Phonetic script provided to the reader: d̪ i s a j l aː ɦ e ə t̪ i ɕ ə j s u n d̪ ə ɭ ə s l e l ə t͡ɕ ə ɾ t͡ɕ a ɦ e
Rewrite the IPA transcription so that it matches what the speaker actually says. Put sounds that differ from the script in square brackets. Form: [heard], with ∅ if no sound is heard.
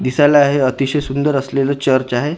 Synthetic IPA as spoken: d̪ i s a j l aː ɦ e ə t̪ i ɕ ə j s u n d̪ ə [ɾ] ə s l e l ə t͡ɕ ə ɾ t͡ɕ a ɦ e